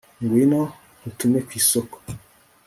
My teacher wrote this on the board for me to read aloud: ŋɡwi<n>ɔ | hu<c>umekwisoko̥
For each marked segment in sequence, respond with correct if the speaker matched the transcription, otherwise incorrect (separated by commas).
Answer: correct, incorrect